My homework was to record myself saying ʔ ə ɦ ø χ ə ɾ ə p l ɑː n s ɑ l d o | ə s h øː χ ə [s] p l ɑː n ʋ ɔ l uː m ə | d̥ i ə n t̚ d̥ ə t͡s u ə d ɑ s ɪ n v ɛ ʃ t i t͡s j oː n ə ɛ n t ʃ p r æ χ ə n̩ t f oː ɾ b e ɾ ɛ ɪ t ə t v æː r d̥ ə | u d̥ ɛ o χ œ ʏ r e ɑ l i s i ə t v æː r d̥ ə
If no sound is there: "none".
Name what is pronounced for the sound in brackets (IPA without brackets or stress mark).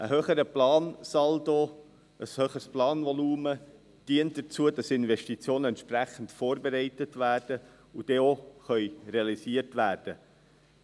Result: s